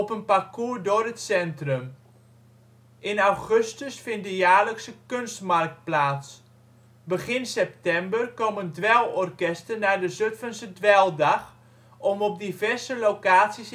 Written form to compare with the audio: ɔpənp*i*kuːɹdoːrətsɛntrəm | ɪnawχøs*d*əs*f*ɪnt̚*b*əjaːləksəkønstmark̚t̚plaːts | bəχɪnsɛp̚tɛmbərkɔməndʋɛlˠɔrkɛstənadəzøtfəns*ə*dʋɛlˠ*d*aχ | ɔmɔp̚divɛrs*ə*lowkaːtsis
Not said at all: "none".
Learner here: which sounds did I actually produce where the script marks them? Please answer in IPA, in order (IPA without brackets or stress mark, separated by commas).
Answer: a, t, f, d, ə, d, ə